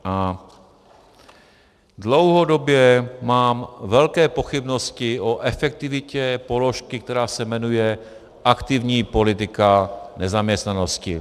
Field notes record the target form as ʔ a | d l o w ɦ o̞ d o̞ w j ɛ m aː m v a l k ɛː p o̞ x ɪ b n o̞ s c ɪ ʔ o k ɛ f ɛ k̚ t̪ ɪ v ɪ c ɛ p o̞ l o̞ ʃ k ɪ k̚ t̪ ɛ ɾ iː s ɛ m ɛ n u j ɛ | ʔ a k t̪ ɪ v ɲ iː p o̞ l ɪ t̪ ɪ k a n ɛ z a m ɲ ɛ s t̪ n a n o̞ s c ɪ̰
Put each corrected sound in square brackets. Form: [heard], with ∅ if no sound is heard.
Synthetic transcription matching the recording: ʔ a | d l o w ɦ o̞ d o̞ [b] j ɛ m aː m v [ɛ] l k ɛː p o̞ x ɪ b n o̞ s c ɪ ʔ o [ʔ] ɛ f ɛ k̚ t̪ ɪ v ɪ c ɛ p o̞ l o̞ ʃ k ɪ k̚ t̪ ɛ ɾ [aː] s ɛ m ɛ n u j ɛ | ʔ a k t̪ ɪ v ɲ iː p o̞ l ɪ t̪ ɪ k a n ɛ z a m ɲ ɛ s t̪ n a n o̞ s c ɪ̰